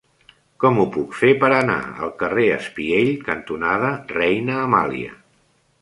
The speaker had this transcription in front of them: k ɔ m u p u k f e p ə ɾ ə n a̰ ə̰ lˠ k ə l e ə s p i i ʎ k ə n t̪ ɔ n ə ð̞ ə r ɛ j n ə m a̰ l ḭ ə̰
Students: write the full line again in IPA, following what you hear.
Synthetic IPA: k ɔ m u p u k f e p ə ɾ ə n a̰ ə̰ lˠ k ə r e ə s p i e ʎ k ə n t̪ u n a ð̞ ə r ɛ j n əː m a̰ l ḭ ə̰